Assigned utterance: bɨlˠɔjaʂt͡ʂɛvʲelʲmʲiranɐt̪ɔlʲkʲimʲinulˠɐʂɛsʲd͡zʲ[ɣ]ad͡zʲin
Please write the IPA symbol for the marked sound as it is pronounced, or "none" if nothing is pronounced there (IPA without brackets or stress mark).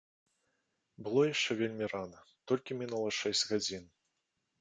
ɣ